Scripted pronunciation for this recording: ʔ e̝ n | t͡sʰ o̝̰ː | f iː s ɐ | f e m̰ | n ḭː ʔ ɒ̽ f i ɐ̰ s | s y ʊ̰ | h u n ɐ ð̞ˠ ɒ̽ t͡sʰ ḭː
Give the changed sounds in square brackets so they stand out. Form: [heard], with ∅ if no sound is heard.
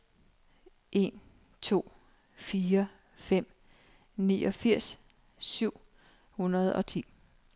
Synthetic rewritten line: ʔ e̝ n | t͡sʰ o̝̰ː | f iː [∅] ɐ | f e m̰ | n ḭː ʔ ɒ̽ f i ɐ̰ s | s y ʊ̰ | h u n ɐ ð̞ˠ ɒ̽ t͡sʰ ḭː